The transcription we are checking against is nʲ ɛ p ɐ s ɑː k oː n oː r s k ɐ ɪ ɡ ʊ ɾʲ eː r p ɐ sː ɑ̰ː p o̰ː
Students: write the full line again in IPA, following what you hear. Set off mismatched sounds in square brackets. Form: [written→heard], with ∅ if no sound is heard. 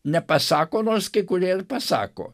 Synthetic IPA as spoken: nʲ ɛ p ɐ s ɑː k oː n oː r s k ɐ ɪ [ɡ→k] ʊ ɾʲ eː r p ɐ [sː→s] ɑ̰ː [p→k] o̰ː

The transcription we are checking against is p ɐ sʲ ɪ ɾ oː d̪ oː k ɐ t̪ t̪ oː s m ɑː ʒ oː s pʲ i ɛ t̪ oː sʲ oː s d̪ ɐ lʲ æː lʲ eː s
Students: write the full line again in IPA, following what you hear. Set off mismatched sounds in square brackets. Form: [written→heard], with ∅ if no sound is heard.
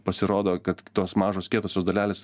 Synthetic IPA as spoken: p ɐ sʲ ɪ ɾ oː d̪ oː k ɐ t̪ t̪ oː s m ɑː ʒ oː s [pʲ→kʲ] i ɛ t̪ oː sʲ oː s d̪ ɐ lʲ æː lʲ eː s

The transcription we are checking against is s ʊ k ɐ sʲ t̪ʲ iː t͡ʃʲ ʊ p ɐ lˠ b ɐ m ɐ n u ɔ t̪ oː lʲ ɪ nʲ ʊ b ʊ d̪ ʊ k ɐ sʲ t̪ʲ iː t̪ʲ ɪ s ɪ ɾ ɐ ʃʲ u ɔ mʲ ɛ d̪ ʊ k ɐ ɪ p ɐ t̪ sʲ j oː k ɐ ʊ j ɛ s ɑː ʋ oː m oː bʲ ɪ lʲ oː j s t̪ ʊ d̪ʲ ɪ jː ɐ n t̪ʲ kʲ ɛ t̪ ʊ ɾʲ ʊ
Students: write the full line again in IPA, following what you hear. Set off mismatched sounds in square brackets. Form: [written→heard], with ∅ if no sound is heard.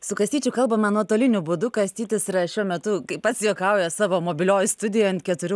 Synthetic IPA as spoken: s ʊ k ɐ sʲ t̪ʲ iː t͡ʃʲ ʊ [p→k] ɐ lˠ b ɐ m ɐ n u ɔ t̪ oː lʲ ɪ nʲ ʊ b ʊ d̪ ʊ k ɐ sʲ t̪ʲ iː t̪ʲ ɪ s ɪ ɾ ɐ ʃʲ u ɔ mʲ ɛ [d̪→t̪] ʊ k ɐ ɪ p ɐ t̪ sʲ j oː k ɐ ʊ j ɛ s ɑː ʋ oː m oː bʲ ɪ lʲ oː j s t̪ ʊ d̪ʲ ɪ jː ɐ n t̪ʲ kʲ ɛ t̪ ʊ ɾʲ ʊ

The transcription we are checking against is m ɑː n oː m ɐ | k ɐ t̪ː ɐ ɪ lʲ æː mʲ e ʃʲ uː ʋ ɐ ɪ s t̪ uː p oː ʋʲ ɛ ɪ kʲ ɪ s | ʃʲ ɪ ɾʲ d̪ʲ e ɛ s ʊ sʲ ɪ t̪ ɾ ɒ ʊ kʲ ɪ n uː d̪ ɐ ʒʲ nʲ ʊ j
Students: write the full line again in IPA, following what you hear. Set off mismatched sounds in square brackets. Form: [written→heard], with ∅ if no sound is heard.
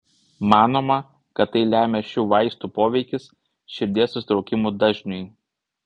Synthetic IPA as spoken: m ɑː n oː m ɐ | k ɐ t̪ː ɐ ɪ lʲ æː mʲ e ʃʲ uː ʋ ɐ ɪ s t̪ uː p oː ʋʲ ɛ ɪ kʲ ɪ s | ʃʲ ɪ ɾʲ d̪ʲ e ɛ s ʊ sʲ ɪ t̪ ɾ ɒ ʊ kʲ ɪ [n→m] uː d̪ ɐ ʒʲ nʲ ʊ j

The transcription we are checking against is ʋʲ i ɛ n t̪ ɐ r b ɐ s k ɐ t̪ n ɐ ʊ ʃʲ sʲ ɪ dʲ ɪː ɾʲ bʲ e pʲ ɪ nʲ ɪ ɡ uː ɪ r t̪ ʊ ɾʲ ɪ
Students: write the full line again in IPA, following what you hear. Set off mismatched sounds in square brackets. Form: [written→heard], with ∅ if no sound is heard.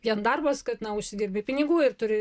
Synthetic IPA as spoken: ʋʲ i ɛ n [t̪→d̪] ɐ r b ɐ s k ɐ t̪ n ɐ ʊ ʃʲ sʲ ɪ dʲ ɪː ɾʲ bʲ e pʲ ɪ nʲ ɪ ɡ uː ɪ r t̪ ʊ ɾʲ ɪ

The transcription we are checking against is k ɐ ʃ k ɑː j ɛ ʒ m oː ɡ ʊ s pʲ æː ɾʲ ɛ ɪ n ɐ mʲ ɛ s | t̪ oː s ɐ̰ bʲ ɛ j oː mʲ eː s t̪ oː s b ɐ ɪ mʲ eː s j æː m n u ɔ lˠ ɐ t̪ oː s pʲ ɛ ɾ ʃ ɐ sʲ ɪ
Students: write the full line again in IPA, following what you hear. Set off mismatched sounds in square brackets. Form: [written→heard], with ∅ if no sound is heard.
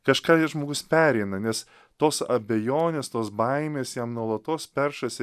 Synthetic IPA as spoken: k ɐ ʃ k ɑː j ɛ ʒ m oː ɡ ʊ s pʲ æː ɾʲ ɛ ɪ n ɐ [mʲ→nʲ] ɛ s | t̪ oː s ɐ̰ bʲ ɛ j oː [mʲ→nʲ] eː s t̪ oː s b ɐ ɪ mʲ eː s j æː m n u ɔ lˠ ɐ t̪ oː s pʲ ɛ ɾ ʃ ɐ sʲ ɪ

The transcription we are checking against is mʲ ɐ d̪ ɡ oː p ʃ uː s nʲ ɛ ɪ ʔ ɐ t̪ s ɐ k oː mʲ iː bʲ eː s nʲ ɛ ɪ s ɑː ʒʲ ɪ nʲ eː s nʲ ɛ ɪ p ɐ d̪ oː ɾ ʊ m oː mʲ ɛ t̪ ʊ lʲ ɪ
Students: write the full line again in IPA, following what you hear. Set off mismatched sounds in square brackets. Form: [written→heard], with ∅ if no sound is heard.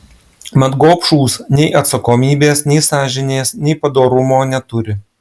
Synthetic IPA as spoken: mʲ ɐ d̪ ɡ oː p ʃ uː s nʲ ɛ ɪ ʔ ɐ t̪ s ɐ k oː mʲ iː bʲ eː s nʲ ɛ ɪ s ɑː ʒʲ ɪ nʲ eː s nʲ ɛ ɪ p ɐ d̪ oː ɾ ʊ m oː [mʲ→nʲ] ɛ t̪ ʊ [lʲ→ɾʲ] ɪ

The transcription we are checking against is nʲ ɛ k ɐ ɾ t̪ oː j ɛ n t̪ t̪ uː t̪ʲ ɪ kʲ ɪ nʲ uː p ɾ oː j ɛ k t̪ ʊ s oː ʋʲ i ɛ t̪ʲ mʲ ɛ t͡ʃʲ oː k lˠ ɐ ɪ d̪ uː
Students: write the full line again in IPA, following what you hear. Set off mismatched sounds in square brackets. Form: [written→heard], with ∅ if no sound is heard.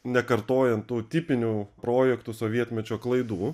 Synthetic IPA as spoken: nʲ ɛ k ɐ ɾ t̪ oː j ɛ n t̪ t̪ uː t̪ʲ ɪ [kʲ→pʲ] ɪ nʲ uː p ɾ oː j ɛ k t̪ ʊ s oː ʋʲ i ɛ t̪ʲ mʲ ɛ t͡ʃʲ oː k lˠ ɐ ɪ d̪ uː

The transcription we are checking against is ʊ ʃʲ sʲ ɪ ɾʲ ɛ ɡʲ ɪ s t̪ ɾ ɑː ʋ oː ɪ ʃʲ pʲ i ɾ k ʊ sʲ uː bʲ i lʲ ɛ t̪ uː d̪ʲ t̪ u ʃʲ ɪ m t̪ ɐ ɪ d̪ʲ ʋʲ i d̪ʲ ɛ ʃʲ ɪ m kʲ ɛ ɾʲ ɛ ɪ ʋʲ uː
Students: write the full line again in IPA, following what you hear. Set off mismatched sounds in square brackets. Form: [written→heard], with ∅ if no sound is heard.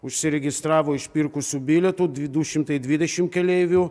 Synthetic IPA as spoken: ʊ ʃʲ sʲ ɪ ɾʲ ɛ ɡʲ ɪ s t̪ ɾ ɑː ʋ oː ɪ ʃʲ pʲ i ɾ k ʊ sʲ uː bʲ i lʲ ɛ t̪ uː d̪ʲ [t̪→d̪] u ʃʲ ɪ m t̪ ɐ ɪ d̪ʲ ʋʲ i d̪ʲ ɛ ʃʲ ɪ m kʲ ɛ [ɾʲ→lʲ] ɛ ɪ ʋʲ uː

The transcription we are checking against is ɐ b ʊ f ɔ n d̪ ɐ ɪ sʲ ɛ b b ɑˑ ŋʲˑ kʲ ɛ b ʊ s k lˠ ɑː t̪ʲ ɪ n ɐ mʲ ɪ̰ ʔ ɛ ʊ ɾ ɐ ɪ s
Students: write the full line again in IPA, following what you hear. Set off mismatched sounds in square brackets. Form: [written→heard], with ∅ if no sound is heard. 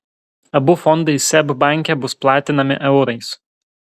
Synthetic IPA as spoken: ɐ b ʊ f ɔ n d̪ ɐ ɪ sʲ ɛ b b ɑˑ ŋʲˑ kʲ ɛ b ʊ s [k→p] lˠ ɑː t̪ʲ ɪ n ɐ mʲ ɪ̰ ʔ ɛ ʊ ɾ ɐ ɪ s

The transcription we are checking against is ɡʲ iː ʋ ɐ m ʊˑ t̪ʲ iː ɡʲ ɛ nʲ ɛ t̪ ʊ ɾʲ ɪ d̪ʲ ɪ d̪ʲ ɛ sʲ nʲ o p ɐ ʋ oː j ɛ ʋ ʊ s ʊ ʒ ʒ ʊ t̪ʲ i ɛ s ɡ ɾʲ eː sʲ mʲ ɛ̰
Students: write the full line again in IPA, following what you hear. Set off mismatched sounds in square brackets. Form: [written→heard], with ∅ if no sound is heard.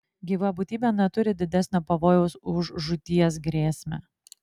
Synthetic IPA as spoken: ɡʲ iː ʋ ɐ [m→b] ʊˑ t̪ʲ iː [ɡʲ→bʲ] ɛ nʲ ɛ t̪ ʊ ɾʲ ɪ d̪ʲ ɪ d̪ʲ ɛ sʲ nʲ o p ɐ ʋ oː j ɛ [ʋ→∅] ʊ s ʊ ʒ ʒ ʊ t̪ʲ i ɛ s ɡ ɾʲ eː sʲ mʲ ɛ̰

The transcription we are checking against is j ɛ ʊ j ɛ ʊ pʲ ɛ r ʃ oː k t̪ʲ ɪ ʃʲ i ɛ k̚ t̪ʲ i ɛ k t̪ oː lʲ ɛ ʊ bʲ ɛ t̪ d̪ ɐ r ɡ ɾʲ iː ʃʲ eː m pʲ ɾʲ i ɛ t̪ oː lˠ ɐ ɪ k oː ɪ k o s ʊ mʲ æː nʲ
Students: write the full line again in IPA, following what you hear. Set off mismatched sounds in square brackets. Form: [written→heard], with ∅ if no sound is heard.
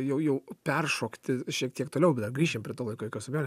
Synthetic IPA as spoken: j ɛ ʊ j ɛ ʊ pʲ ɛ r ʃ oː k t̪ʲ ɪ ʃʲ i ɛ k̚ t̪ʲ i ɛ k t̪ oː lʲ ɛ ʊ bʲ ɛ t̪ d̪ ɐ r ɡ ɾʲ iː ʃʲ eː m pʲ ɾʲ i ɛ t̪ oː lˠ ɐ ɪ k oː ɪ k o s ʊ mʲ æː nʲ

